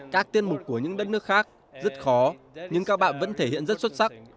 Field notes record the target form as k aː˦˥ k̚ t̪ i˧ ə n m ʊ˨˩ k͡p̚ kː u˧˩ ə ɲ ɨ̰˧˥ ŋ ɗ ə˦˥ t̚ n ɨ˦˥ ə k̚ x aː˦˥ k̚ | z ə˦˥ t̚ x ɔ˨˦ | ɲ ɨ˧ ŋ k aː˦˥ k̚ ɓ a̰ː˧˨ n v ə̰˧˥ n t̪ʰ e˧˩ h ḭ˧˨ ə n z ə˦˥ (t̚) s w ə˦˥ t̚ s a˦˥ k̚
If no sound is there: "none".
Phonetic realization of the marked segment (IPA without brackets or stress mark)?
t̚